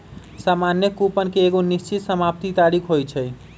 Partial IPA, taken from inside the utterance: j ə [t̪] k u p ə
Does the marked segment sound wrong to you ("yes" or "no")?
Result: yes